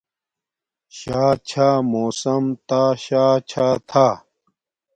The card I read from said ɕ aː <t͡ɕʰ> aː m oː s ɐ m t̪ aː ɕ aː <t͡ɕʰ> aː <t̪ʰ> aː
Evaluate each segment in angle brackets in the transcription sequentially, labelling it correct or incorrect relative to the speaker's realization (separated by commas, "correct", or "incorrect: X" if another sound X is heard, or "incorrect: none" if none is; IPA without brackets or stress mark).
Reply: correct, correct, correct